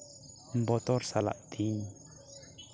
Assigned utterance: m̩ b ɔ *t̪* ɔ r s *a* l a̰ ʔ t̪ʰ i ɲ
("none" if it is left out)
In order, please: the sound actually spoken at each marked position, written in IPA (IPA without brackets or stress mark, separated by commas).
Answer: t̪, a